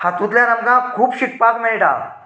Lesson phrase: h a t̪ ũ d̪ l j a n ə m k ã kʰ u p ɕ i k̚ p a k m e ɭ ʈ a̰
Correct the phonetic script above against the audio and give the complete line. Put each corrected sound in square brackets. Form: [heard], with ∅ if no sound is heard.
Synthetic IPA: h a t̪ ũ [t̪] l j a n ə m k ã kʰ [uː] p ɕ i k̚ p a k m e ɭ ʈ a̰